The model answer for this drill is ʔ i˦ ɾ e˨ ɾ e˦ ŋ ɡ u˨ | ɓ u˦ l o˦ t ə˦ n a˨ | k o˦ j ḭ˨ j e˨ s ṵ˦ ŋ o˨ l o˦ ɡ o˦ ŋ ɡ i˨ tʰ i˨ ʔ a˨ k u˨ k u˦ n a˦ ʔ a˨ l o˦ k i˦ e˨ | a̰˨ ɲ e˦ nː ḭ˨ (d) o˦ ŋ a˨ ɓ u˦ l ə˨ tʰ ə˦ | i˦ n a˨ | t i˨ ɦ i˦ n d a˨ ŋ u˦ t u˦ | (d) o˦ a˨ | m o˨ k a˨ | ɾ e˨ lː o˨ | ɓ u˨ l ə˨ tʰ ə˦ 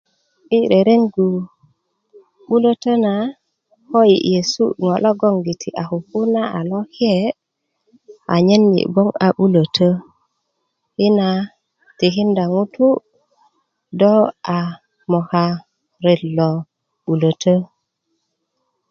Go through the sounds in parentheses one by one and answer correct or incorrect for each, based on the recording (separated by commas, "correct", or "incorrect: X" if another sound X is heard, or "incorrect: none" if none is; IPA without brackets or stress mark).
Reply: incorrect: b, correct